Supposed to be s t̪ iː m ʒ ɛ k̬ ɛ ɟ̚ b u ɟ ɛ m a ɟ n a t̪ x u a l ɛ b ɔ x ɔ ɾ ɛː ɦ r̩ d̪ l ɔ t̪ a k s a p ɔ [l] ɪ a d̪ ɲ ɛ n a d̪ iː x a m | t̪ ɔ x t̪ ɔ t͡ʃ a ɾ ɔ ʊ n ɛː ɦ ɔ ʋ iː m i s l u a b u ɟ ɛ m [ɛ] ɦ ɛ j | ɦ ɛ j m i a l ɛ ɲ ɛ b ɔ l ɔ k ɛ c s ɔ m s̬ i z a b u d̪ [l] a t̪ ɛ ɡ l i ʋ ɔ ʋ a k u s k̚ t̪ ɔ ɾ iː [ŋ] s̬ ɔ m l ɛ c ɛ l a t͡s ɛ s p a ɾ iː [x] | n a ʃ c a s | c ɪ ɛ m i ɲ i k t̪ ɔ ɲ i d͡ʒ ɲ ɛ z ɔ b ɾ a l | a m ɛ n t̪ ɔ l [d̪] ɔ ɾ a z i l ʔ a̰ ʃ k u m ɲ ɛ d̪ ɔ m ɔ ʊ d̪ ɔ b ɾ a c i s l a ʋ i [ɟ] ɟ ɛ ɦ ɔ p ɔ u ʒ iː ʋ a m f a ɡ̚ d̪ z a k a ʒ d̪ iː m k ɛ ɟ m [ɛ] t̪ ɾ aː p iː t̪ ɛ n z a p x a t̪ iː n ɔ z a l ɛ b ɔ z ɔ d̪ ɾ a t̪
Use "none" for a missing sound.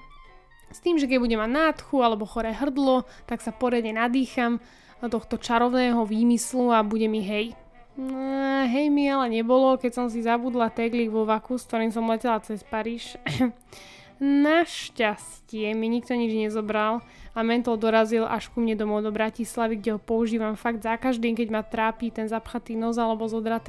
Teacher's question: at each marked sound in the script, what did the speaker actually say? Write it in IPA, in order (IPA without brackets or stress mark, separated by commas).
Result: ɾ, i, l, m, ʃ, d̪, ɡ, a